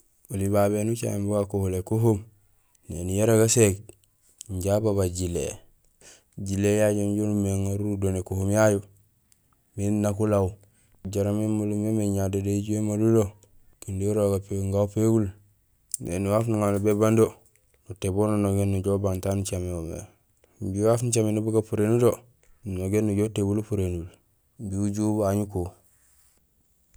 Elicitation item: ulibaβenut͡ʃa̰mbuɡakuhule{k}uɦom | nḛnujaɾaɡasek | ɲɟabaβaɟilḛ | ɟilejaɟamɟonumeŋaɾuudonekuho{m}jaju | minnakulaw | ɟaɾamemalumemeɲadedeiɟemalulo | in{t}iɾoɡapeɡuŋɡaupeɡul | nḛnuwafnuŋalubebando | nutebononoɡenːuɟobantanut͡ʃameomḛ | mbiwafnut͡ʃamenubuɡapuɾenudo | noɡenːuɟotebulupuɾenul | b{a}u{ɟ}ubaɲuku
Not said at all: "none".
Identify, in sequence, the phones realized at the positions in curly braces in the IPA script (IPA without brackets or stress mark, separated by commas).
k, m, d, i, ɟ